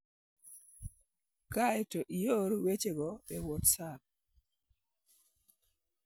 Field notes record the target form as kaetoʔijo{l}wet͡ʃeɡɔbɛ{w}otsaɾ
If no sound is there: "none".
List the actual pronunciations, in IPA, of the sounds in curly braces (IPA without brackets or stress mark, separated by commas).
ɾ, w